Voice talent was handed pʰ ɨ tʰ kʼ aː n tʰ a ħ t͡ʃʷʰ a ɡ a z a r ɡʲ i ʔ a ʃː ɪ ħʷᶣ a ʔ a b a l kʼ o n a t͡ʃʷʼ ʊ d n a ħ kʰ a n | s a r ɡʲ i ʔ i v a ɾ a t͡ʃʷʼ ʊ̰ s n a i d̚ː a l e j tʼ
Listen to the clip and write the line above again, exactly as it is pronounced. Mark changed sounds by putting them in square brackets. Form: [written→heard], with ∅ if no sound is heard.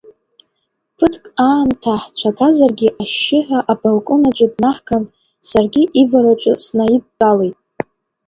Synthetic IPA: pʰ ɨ tʰ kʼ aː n tʰ a ħ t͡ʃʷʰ a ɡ a z a r ɡʲ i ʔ a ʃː ɪ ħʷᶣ a ʔ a b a l kʼ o n a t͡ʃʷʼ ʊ d n a ħ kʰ a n | s a r ɡʲ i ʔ i v a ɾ a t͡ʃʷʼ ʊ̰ s n a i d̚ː a l e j tʼ